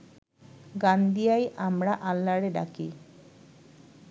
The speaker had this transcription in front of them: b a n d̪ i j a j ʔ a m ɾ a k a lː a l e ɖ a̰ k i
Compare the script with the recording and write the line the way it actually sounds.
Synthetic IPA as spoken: ɡ a n d̪ i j a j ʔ a m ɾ a ʔ a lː a ɽ e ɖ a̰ k i